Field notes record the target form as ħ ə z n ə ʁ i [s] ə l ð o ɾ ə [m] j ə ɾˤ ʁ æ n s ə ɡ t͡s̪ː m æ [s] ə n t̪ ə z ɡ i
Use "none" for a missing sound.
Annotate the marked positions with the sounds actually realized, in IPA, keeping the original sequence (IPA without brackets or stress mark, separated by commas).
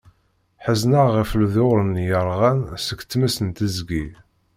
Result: f, n, s